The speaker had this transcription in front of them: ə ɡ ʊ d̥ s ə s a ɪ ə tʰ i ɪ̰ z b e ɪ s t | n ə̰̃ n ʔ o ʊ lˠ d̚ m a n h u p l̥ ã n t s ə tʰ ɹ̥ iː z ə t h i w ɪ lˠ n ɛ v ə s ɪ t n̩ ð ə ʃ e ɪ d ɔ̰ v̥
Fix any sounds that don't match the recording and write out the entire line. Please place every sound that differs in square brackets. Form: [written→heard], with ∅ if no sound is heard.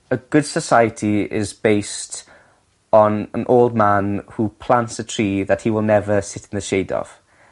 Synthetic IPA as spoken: ə ɡ ʊ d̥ s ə s a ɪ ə tʰ i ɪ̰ z b e ɪ s t | n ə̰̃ n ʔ o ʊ lˠ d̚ m a n h u [p→pʰ] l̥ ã n t s ə tʰ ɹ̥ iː [z→ð] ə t h i w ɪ lˠ n ɛ v ə s ɪ t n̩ ð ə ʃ e ɪ d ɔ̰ v̥